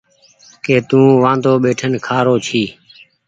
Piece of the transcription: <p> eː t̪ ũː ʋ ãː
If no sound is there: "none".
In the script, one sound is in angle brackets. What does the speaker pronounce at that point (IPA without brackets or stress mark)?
k